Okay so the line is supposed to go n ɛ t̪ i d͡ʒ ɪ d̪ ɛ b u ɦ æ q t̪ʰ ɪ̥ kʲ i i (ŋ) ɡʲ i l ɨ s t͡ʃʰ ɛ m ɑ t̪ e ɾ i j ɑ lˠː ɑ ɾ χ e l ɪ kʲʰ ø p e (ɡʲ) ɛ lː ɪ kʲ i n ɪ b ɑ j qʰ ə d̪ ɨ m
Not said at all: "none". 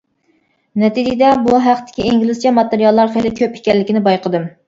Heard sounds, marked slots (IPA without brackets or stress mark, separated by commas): ŋ, kʲ